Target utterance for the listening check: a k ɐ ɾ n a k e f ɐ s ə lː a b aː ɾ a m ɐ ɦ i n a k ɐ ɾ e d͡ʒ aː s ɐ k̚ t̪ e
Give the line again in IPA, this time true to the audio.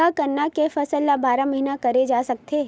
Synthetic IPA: a k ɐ ɾ n a k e f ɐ s ə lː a b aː ɾ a m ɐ ɦ i n a k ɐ ɾ e d͡ʒ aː s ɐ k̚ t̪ e